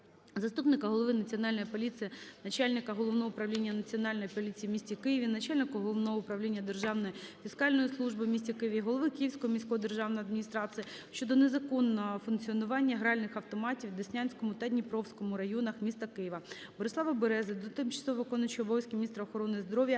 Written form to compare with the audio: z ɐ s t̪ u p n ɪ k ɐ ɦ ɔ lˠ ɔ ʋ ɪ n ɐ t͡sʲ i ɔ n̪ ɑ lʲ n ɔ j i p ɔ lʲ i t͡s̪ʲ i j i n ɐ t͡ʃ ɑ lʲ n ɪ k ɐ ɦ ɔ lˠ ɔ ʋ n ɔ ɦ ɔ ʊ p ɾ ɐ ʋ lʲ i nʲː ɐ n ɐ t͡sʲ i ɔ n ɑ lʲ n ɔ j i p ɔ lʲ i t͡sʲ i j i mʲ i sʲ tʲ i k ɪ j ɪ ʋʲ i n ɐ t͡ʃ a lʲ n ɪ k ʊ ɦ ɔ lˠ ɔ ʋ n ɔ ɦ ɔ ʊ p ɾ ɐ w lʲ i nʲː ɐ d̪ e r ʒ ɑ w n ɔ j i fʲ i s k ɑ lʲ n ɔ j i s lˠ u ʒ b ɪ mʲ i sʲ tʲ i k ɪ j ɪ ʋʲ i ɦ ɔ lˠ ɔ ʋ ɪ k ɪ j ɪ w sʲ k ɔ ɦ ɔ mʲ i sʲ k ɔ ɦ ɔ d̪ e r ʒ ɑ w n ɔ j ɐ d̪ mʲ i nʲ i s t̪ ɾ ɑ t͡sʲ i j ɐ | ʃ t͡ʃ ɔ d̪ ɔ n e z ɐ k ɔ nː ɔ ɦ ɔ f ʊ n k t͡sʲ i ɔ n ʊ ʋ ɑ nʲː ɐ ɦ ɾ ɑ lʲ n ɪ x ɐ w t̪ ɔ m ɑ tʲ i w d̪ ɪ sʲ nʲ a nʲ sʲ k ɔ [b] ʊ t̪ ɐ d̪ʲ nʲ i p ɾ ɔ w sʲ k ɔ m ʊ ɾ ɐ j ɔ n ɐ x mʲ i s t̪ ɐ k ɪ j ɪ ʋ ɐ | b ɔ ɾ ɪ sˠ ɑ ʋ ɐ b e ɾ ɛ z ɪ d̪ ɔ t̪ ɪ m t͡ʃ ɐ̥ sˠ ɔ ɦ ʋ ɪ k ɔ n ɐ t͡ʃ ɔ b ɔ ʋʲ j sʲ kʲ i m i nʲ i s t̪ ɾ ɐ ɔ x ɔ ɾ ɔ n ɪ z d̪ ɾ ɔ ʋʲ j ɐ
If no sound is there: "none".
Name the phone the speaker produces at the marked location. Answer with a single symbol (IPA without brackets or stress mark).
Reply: m